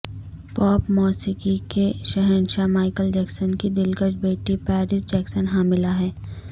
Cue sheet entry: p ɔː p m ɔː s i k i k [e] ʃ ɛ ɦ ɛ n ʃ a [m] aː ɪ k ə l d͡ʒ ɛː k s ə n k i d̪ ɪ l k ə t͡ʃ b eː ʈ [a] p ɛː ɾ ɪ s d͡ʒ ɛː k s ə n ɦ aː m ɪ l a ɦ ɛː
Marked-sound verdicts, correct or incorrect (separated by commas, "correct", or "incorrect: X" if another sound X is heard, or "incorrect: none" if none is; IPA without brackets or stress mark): correct, correct, incorrect: i